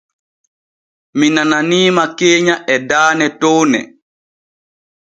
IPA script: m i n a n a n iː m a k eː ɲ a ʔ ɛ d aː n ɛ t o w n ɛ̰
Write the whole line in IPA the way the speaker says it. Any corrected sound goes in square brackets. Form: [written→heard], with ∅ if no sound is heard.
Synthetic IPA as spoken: m i n a n a n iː m a k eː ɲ a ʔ ɛ d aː n ɛ t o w n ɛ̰